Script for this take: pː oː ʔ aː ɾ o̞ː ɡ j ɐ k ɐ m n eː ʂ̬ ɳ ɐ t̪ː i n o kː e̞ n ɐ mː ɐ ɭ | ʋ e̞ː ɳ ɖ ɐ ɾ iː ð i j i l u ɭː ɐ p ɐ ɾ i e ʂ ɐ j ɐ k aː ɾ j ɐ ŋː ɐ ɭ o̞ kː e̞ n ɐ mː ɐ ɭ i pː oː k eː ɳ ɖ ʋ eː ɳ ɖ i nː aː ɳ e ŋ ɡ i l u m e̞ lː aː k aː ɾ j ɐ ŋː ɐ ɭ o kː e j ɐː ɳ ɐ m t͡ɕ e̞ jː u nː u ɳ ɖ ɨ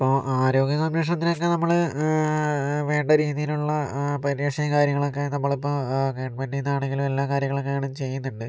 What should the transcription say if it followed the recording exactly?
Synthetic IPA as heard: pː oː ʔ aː ɾ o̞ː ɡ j ɐ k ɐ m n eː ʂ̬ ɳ ɐ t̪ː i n o kː e̞ n ɐ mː ɐ ɭ | ʋ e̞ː ɳ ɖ ɐ ɾ iː ð i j i l u ɭː ɐ p ɐ ɾ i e ʂ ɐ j ɐ k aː ɾ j ɐ ŋː ɐ ɭ o̞ kː e̞ n ɐ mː ɐ ɭ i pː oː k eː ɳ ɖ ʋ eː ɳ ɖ i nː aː ɳ e ŋ ɡ i l u m e̞ lː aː k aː ɾ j ɐ ŋː ɐ ɭ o kː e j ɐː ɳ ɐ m t͡ɕ e̞ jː u nː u ɳ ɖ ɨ